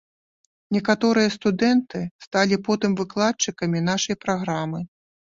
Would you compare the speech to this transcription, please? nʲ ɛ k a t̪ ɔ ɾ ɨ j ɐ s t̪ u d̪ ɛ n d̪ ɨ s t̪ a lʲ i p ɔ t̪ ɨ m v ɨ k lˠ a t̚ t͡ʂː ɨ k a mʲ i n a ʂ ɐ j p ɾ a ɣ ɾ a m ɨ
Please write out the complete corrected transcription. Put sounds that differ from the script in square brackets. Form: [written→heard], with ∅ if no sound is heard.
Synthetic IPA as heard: nʲ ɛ k a t̪ ɔ ɾ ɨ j ɐ s t̪ u d̪ ɛ n [d̪→t̪] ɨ s t̪ a lʲ i p ɔ t̪ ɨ m v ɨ k lˠ a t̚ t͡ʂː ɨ k [a→ɐ] mʲ i n a ʂ ɐ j p ɾ a ɣ ɾ a m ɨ

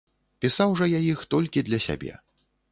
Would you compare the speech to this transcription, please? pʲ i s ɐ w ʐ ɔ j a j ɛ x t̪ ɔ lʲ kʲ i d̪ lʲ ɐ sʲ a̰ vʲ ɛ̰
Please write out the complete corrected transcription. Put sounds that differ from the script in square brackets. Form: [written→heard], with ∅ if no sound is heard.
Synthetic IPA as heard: pʲ i s [ɐ→a] w ʐ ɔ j a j [ɛ→i] x t̪ ɔ lʲ kʲ i d̪ lʲ ɐ sʲ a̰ [vʲ→bʲ] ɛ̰

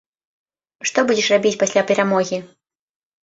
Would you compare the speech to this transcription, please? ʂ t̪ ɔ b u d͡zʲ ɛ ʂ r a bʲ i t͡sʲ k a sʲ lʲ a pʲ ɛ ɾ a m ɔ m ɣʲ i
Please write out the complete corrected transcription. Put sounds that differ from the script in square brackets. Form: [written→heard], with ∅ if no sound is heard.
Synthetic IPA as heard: ʂ t̪ ɔ b u d͡zʲ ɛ ʂ r a bʲ i t͡sʲ [k→p] a sʲ lʲ a pʲ ɛ ɾ a m ɔ [m→∅] ɣʲ i

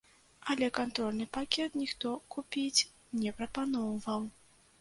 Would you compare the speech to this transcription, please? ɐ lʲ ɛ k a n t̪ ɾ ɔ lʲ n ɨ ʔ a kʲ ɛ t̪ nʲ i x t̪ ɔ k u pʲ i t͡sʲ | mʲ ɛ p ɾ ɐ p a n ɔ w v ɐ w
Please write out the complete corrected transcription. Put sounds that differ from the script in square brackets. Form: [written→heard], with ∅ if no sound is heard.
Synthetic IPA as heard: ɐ lʲ ɛ k a n t̪ ɾ ɔ lʲ n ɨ [ʔ→p] a kʲ ɛ t̪ nʲ i x t̪ ɔ k u pʲ i t͡sʲ | [mʲ→nʲ] ɛ p ɾ ɐ p a n ɔ w v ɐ w

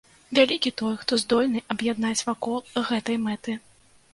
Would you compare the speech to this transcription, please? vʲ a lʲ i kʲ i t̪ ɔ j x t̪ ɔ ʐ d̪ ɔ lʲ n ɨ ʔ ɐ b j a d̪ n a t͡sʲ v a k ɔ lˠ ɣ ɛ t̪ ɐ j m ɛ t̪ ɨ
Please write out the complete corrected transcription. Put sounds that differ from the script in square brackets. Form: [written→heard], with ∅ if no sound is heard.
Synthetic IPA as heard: vʲ a lʲ i kʲ i t̪ ɔ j x t̪ ɔ [ʐ→z] d̪ ɔ lʲ n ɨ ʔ ɐ b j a d̪ n a t͡sʲ v a k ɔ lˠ ɣ ɛ t̪ ɐ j m ɛ t̪ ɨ

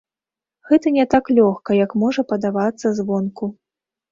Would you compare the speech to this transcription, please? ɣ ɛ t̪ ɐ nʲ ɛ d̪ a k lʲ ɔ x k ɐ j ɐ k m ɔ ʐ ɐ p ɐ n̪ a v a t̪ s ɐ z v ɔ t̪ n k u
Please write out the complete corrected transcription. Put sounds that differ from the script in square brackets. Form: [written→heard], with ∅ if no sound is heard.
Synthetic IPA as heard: ɣ ɛ t̪ ɐ nʲ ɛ [d̪→t̪] a k lʲ ɔ x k ɐ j ɐ k m ɔ ʐ ɐ p ɐ [n̪→d̪] a v a t̪ [s→sː] ɐ z v ɔ [t̪→∅] n k u

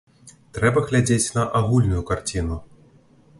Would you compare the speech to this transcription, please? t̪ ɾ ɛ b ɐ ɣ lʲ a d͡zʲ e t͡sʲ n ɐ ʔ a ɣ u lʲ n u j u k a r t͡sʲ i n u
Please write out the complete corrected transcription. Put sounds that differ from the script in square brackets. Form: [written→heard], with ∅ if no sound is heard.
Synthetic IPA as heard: t̪ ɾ ɛ b ɐ ɣ lʲ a d͡zʲ e t͡sʲ n ɐ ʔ a ɣ u lʲ n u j u k a r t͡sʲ i n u

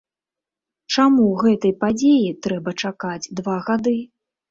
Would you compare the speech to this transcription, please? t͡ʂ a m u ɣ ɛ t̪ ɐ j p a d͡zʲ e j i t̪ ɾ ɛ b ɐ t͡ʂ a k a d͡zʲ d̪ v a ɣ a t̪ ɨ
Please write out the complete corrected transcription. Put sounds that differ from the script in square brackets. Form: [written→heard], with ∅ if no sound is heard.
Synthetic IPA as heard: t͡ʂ a m u ɣ ɛ t̪ ɐ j p a d͡zʲ e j i t̪ ɾ ɛ b ɐ t͡ʂ a k a d͡zʲ d̪ v a ɣ a [t̪→d̪] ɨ

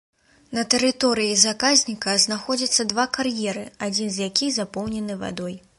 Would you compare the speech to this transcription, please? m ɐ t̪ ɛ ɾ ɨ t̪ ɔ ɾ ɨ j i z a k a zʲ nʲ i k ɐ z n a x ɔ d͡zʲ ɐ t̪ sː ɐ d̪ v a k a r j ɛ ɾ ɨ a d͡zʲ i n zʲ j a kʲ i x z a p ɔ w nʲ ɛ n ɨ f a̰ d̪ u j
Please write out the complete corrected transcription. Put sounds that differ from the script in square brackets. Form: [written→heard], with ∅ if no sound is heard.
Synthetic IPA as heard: [m→n] ɐ t̪ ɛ ɾ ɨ t̪ ɔ ɾ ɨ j i z a k a zʲ nʲ i k ɐ z n a x ɔ d͡zʲ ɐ t̪ sː ɐ d̪ v a k a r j ɛ ɾ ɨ a d͡zʲ i n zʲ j a kʲ i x z a p ɔ w nʲ ɛ n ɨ [f→v] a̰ d̪ [u→ɔ] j

